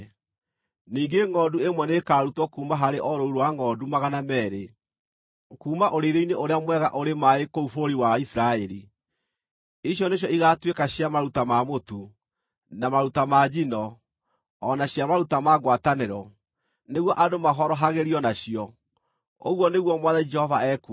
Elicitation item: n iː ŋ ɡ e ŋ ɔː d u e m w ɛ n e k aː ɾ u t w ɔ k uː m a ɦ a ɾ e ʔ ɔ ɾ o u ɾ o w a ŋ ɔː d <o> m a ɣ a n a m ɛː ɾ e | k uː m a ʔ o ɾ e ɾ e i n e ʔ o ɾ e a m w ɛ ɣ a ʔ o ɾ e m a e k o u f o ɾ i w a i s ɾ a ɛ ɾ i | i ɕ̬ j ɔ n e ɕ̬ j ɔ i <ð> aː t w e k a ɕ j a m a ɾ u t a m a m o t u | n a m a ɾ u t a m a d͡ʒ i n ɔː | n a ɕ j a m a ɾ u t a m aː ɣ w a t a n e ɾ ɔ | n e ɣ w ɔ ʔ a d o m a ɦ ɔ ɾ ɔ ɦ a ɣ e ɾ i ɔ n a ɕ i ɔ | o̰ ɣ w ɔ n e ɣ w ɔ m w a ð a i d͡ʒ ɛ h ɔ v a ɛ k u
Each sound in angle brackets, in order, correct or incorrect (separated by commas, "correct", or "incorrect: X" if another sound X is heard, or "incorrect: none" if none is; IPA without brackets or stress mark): incorrect: u, incorrect: ɣ